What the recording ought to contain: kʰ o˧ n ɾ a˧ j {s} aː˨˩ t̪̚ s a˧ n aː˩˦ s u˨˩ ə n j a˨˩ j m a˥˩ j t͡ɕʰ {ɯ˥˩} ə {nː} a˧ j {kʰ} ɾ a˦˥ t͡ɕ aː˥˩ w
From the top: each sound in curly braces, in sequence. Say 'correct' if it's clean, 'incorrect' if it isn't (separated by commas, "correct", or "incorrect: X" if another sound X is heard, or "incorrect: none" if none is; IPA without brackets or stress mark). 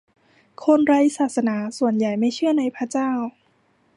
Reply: correct, correct, incorrect: n, incorrect: pʰ